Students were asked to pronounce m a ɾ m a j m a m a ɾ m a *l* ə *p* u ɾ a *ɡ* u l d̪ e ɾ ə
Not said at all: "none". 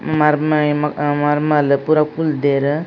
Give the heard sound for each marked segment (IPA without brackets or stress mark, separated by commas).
l, p, k